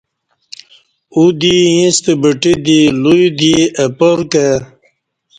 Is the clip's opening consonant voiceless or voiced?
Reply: voiced